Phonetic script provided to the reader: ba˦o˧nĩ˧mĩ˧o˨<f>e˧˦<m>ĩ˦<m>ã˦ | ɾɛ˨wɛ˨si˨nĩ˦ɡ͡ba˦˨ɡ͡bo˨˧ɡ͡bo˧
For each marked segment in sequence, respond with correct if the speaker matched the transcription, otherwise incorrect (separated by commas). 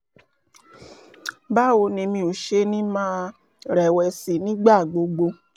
incorrect, incorrect, correct